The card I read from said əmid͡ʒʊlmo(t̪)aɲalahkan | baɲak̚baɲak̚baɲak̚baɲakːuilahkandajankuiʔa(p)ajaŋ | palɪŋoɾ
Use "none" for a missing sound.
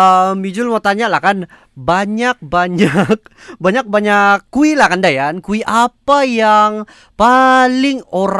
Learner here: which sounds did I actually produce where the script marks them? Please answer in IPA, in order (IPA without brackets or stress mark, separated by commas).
t̪, p